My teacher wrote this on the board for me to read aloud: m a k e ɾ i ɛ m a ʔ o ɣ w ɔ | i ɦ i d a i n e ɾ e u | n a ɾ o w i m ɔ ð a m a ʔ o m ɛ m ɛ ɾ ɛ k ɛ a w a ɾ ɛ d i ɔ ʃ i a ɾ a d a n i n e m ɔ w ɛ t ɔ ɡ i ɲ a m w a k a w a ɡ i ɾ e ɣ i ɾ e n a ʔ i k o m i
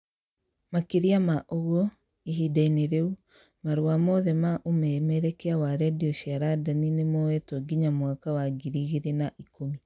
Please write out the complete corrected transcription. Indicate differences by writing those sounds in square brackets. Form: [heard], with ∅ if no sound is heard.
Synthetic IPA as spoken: m a k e ɾ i [a] m a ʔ o ɣ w ɔ | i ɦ i d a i n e ɾ e u | [m] a ɾ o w [a] m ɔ ð [ɛ] m a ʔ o m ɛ m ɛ ɾ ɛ k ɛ a w a ɾ ɛ d i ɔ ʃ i a ɾ a d a n i n e m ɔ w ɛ t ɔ ɡ i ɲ a m w a k a w a ɡ i ɾ [i] ɣ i ɾ e n a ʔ i k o m i